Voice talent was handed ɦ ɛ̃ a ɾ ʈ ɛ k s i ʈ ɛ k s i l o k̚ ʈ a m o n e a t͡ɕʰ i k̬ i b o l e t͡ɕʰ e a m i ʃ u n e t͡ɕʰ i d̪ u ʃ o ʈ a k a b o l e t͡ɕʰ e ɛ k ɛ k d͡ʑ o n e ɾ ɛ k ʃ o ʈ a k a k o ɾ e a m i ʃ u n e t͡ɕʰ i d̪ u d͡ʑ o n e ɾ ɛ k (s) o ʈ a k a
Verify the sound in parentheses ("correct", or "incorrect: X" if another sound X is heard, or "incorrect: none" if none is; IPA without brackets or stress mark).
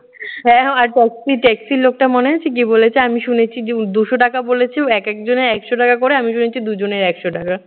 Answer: incorrect: ʃ